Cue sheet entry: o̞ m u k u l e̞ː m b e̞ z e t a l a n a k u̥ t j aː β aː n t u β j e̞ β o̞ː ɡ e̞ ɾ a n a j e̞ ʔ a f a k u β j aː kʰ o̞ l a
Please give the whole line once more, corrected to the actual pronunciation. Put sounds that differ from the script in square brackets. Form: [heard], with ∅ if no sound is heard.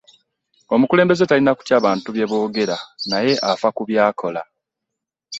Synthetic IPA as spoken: o̞ m u k u l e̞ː m b e̞ z e t a l [i] n a k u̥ t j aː β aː n t u β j e̞ β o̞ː ɡ e̞ ɾ a n a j e̞ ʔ a f a k u β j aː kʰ o̞ l a